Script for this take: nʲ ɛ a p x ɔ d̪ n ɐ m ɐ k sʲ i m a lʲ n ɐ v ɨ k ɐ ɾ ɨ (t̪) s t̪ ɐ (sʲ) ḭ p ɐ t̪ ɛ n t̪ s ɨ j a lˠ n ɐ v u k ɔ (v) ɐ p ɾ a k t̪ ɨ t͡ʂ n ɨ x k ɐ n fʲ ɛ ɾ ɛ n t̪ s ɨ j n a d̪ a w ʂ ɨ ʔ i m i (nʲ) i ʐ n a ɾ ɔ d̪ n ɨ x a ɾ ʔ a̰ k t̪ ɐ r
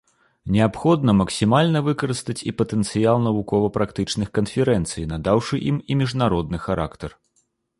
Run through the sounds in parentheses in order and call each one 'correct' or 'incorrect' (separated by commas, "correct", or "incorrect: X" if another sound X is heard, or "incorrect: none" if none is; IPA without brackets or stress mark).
incorrect: none, incorrect: t͡sʲ, correct, incorrect: mʲ